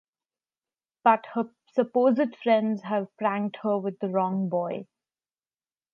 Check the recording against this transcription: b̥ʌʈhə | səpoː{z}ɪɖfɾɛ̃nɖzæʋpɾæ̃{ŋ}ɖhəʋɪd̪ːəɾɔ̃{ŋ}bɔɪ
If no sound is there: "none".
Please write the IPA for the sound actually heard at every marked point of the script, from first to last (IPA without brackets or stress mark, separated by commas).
z, ŋ, ŋ